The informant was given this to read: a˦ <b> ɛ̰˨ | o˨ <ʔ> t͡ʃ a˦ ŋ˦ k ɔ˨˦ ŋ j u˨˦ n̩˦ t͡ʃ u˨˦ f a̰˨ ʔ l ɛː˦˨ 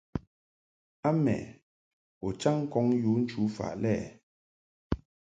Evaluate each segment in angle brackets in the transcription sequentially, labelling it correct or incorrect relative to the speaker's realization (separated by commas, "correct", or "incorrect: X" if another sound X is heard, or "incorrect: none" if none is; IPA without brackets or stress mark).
incorrect: m, incorrect: none